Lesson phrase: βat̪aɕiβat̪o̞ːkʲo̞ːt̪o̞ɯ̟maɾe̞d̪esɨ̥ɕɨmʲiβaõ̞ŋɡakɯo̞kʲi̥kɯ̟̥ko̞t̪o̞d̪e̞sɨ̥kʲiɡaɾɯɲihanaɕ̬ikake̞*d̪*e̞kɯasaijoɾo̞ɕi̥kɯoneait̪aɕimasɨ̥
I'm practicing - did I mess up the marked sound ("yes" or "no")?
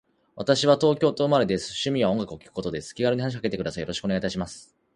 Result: yes